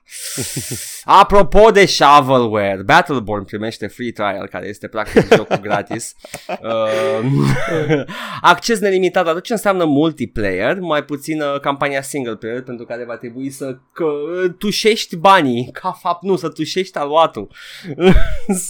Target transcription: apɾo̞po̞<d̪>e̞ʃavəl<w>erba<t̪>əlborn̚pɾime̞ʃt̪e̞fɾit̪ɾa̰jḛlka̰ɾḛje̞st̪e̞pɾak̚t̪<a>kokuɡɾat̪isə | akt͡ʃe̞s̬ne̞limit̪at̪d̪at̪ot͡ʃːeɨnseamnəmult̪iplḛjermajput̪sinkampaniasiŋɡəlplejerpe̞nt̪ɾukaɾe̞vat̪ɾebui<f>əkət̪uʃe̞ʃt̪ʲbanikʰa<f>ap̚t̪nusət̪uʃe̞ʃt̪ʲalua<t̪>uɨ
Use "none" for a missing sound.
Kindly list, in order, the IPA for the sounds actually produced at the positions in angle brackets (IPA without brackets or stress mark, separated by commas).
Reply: d̪, w, t̪, i, s, f, t̪